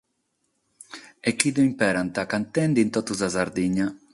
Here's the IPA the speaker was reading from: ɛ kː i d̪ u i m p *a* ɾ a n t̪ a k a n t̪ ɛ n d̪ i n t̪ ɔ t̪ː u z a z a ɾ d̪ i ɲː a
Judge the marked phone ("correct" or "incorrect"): incorrect